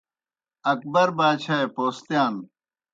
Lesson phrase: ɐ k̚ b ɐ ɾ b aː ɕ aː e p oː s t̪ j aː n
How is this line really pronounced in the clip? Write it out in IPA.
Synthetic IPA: ɐ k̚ b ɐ ɾ b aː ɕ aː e p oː s t̪ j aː n